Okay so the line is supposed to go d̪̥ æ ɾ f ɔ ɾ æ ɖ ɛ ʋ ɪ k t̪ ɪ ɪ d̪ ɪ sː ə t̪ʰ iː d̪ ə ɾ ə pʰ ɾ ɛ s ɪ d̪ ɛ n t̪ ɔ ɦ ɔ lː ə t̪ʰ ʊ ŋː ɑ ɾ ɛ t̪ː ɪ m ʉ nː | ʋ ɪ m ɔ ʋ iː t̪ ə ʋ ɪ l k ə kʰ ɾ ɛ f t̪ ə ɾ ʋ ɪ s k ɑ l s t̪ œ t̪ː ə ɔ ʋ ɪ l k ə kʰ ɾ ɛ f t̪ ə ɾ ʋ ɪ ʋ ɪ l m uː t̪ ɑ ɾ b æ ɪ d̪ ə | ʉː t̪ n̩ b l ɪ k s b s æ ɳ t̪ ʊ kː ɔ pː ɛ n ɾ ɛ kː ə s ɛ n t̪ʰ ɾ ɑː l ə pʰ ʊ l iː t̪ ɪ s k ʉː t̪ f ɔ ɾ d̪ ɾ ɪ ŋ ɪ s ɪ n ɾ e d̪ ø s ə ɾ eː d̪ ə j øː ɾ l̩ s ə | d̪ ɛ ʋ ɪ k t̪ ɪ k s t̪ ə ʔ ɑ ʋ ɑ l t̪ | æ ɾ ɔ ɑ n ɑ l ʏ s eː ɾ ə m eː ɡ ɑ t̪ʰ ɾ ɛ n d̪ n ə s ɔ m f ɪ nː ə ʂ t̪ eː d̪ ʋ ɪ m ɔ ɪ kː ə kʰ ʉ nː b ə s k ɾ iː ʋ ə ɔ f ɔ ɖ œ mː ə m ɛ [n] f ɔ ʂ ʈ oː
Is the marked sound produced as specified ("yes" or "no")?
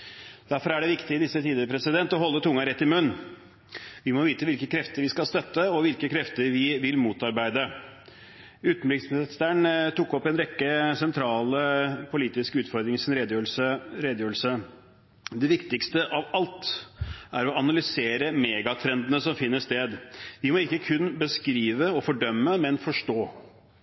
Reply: yes